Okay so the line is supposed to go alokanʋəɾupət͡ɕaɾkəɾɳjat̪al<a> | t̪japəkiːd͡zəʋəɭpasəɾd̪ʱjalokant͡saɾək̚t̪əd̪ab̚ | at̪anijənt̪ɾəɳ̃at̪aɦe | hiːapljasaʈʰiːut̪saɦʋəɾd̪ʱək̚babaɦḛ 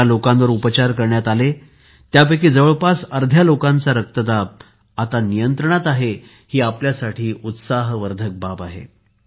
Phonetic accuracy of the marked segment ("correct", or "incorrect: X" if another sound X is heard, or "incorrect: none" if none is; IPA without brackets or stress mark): incorrect: e